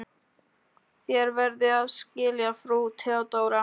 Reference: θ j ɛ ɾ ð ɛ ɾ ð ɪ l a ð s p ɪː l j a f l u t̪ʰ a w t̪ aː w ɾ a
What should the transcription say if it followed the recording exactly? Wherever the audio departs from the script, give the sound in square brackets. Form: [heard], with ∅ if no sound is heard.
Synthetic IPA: θ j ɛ ɾ [v] ɛ ɾ ð ɪ [∅] a ð s [c] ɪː l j a f [ɾ] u t̪ʰ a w t̪ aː w ɾ a